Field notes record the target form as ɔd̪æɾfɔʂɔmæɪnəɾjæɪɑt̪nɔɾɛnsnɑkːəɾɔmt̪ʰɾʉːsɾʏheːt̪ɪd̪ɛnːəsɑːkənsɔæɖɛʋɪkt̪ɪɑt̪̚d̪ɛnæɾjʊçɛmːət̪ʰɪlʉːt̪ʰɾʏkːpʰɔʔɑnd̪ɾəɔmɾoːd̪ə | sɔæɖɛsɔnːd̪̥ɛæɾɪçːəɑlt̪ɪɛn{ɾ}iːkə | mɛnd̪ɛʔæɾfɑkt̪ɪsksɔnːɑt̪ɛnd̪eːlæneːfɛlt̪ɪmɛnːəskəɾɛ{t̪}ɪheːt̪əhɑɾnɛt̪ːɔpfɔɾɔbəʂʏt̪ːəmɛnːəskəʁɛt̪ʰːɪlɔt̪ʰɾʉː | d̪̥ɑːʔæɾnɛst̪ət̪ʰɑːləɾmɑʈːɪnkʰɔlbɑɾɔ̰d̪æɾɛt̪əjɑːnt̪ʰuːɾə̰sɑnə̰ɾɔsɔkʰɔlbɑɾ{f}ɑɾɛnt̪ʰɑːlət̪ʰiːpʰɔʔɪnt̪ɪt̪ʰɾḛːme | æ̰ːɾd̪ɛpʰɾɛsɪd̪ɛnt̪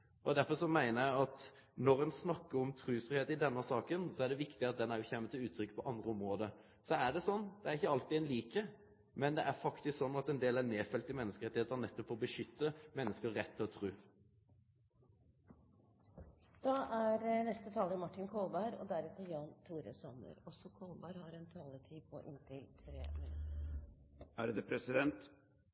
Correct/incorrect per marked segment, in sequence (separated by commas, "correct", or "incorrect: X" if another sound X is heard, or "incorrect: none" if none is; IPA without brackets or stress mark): incorrect: l, correct, incorrect: h